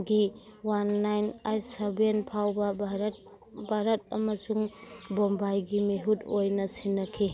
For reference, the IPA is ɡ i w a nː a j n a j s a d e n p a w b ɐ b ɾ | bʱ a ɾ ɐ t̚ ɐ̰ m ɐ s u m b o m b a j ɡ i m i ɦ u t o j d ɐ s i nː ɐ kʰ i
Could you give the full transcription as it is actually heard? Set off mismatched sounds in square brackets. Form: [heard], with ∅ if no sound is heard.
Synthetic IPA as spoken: ɡ i w a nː a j n a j s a [b] e n [pʰ] a w b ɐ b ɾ | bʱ a ɾ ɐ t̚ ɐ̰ m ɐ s u [ŋ] b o m b a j ɡ i m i ɦ u t o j [n] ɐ s i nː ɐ kʰ i